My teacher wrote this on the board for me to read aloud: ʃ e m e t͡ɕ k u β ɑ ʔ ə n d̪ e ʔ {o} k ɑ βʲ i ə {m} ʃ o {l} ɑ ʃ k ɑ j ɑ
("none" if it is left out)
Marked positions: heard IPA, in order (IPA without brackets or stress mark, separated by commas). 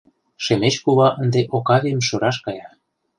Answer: o, m, ɾ